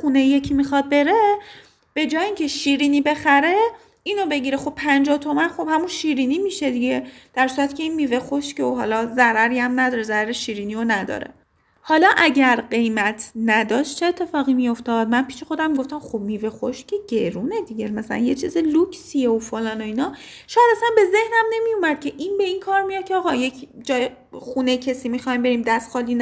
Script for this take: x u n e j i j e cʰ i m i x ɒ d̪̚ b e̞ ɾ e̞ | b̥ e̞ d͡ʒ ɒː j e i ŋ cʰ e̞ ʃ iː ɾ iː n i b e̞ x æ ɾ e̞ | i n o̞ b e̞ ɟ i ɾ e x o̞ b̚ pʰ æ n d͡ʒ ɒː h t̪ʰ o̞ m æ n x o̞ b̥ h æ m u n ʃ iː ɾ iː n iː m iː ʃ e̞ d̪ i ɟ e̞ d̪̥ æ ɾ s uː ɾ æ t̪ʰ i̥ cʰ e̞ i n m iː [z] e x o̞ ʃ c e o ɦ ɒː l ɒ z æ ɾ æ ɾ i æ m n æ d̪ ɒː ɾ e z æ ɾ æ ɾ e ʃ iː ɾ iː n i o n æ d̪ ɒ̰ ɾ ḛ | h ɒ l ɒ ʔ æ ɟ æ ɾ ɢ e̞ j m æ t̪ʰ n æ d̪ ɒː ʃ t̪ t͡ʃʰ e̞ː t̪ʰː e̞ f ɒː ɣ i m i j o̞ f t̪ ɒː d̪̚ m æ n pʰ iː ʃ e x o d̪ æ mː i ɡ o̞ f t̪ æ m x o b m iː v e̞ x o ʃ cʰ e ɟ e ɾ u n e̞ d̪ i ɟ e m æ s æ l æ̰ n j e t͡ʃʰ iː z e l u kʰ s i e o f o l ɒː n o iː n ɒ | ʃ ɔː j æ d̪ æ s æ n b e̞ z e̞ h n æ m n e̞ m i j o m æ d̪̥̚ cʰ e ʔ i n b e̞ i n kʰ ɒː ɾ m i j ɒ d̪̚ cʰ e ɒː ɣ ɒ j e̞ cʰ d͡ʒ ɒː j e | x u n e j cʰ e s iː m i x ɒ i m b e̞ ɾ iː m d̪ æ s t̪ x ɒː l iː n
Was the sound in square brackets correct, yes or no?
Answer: no